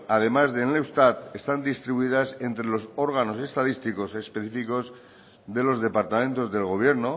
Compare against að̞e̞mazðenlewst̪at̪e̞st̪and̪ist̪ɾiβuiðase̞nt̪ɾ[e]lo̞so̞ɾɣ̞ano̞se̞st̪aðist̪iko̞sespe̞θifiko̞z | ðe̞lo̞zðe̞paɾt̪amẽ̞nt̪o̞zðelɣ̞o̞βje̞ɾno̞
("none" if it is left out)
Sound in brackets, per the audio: e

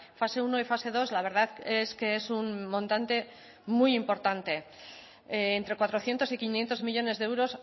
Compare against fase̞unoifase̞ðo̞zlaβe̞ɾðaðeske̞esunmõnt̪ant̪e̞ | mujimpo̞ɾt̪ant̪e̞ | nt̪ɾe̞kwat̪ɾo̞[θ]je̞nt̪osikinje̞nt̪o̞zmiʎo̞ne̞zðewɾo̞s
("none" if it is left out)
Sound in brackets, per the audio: θ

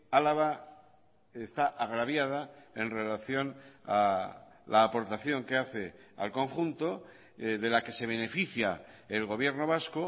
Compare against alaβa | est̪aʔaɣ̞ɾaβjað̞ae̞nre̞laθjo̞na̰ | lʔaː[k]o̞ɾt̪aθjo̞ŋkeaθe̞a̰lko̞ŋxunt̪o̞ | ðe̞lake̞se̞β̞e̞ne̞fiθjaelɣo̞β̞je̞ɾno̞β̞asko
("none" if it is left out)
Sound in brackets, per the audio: p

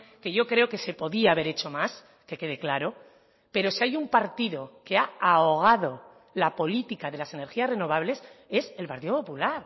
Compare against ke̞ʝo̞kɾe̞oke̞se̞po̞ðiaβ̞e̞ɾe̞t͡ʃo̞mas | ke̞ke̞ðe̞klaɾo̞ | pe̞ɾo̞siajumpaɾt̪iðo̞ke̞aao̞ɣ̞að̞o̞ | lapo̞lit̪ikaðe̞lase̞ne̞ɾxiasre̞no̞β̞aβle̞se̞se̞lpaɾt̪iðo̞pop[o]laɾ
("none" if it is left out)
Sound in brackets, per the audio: u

